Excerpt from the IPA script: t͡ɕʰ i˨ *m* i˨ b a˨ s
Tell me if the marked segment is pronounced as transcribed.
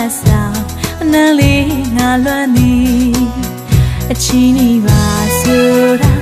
no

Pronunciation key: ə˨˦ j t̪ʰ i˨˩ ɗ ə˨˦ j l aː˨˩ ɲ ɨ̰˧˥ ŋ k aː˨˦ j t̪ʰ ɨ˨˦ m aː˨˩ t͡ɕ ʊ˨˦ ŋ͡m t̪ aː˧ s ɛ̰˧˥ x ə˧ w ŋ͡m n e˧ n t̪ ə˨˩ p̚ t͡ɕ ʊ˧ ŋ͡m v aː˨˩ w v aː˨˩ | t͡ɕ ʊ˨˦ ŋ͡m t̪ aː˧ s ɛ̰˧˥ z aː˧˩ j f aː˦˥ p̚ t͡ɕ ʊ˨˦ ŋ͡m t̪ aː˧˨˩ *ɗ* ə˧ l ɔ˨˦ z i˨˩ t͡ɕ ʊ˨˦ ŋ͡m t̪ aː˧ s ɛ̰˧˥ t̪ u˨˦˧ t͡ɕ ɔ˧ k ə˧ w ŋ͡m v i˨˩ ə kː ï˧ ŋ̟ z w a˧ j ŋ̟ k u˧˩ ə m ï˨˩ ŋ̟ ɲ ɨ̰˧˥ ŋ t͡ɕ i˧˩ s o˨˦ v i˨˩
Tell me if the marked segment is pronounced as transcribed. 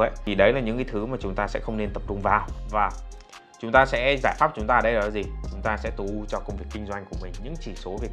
yes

